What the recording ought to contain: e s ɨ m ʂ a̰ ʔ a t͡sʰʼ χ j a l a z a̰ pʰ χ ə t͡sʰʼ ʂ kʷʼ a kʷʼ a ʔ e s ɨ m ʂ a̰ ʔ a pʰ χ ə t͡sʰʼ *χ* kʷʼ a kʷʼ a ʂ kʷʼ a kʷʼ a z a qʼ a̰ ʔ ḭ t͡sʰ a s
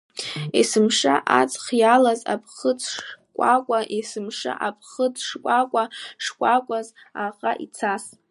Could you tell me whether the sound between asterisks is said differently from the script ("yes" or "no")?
yes